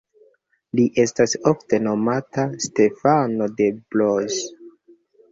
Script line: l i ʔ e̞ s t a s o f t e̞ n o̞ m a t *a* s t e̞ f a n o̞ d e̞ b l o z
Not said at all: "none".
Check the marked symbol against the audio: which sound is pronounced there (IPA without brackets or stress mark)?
a